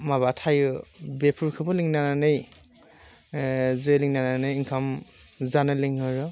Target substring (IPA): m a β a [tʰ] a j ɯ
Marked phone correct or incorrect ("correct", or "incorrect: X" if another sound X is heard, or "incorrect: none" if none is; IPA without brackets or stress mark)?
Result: correct